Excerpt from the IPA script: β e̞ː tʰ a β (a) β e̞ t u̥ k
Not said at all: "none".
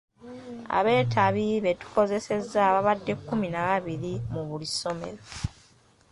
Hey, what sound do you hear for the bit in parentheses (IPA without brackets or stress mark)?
i